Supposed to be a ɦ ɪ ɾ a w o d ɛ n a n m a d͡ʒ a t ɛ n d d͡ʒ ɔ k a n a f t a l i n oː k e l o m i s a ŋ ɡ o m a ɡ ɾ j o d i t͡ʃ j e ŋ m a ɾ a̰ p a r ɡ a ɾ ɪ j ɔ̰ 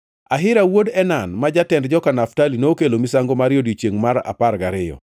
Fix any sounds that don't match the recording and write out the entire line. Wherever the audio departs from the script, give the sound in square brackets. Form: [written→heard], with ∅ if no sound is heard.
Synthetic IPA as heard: a ɦ ɪ ɾ a w o d ɛ n a n m a d͡ʒ a t ɛ n d d͡ʒ ɔ k a n a f t a l i n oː k e l o m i s a ŋ ɡ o m a [ɡ→∅] ɾ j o d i t͡ʃ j e ŋ m a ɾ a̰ p a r ɡ a ɾ ɪ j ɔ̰